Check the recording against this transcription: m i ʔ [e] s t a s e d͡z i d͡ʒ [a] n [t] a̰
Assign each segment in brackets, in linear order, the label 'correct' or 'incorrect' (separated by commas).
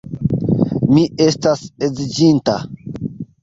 correct, incorrect, correct